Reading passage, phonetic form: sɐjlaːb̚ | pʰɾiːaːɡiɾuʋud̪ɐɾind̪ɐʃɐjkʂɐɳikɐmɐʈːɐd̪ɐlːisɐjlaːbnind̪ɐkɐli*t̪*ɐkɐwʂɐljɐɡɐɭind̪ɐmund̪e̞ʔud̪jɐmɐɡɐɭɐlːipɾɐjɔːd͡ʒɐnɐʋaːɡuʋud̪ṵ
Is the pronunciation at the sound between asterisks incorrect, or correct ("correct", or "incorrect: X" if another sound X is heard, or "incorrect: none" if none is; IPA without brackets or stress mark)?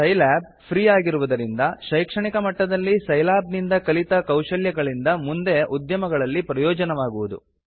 correct